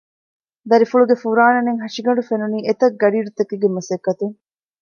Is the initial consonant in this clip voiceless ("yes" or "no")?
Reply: no